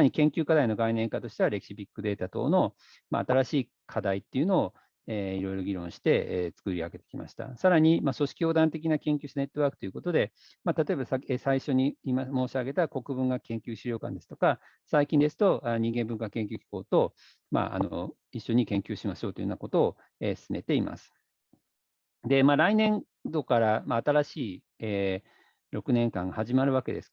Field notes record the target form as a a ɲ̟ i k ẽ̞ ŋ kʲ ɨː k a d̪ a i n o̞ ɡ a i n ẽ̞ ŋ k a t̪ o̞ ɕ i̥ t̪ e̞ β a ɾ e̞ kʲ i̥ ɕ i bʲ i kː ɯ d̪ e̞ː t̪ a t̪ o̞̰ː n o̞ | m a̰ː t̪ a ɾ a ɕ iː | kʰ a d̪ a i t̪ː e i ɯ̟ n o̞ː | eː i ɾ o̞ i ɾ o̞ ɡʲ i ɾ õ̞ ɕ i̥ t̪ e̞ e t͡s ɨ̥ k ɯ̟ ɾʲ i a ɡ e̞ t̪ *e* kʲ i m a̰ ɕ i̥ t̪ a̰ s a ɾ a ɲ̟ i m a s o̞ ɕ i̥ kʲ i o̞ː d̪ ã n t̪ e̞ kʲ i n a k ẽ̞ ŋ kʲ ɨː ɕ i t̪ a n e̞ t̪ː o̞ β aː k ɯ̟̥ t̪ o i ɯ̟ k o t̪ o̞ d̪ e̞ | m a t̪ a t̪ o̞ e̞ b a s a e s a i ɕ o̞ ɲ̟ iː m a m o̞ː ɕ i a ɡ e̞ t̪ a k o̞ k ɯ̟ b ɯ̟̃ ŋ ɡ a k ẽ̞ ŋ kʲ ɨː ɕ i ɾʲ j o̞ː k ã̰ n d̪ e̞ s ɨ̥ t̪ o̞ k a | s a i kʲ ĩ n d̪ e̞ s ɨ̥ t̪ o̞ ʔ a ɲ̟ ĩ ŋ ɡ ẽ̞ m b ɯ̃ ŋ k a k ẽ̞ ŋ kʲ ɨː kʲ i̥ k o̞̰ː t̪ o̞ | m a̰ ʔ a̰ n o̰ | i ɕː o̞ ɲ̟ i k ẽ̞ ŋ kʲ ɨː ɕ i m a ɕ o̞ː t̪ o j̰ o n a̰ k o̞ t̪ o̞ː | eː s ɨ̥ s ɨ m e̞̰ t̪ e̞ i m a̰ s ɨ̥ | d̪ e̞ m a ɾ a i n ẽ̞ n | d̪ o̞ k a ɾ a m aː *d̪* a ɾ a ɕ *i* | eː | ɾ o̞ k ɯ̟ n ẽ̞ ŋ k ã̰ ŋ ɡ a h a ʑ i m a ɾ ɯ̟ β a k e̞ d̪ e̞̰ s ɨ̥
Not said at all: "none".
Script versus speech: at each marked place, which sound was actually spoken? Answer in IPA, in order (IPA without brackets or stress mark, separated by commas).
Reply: e, t̪, iː